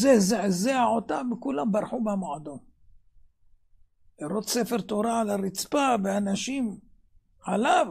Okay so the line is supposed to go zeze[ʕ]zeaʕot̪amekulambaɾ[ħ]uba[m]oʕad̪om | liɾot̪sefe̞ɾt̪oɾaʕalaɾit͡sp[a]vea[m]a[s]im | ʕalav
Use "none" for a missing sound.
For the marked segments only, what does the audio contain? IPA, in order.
ʕ, ħ, m, a, n, ʃ

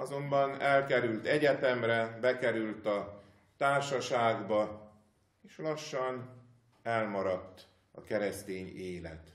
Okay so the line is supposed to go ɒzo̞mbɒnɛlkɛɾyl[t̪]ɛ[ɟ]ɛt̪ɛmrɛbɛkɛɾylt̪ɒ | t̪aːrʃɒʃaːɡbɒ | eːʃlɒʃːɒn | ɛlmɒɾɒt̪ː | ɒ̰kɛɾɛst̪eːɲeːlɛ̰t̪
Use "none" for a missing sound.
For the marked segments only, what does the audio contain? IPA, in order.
t̪, ɟ

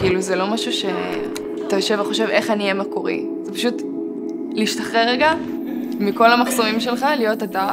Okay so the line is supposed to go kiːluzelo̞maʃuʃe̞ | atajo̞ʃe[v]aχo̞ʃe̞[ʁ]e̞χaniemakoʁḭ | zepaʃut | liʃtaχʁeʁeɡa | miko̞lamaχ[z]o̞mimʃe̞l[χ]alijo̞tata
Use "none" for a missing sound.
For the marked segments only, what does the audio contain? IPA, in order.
v, v, s, χ

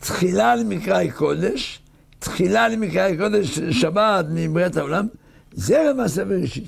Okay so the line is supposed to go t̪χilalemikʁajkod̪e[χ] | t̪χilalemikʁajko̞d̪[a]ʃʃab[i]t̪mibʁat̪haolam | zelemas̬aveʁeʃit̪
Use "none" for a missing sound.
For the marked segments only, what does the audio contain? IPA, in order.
ʃ, e, a

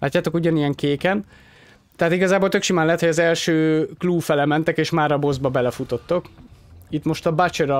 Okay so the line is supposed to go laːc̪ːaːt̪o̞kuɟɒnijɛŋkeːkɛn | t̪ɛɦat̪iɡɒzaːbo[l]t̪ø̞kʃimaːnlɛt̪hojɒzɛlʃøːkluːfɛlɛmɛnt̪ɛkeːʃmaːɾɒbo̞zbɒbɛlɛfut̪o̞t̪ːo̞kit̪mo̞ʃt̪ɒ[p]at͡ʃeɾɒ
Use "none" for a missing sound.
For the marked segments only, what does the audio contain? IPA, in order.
l, b

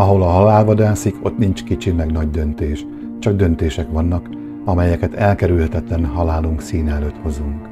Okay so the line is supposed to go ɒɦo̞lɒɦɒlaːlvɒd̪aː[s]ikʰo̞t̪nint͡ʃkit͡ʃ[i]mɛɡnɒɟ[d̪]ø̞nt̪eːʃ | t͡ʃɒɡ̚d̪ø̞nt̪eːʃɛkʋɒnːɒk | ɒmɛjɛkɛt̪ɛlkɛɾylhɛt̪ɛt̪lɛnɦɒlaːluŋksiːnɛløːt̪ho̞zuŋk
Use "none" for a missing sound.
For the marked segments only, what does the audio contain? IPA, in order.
s, i, d̪

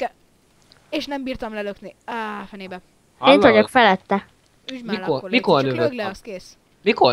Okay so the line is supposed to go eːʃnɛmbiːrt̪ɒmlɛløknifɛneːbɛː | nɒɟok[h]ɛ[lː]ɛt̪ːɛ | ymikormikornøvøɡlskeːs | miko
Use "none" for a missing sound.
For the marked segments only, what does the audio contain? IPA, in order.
f, l

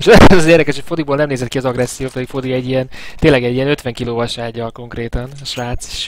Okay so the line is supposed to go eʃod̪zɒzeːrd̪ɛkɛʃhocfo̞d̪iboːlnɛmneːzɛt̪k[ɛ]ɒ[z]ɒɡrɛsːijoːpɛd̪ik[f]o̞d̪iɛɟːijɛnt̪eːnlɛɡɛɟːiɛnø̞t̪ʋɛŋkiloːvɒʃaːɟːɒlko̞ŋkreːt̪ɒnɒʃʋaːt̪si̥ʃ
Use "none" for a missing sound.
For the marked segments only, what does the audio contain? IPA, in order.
i, z, f

